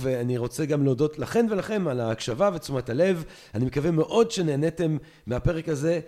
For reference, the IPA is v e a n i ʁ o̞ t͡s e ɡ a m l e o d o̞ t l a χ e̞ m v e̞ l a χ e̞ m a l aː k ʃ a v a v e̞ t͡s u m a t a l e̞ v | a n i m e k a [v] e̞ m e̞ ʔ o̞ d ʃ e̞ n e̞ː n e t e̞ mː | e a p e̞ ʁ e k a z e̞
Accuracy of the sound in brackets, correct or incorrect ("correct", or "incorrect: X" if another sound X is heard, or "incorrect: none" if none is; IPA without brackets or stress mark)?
correct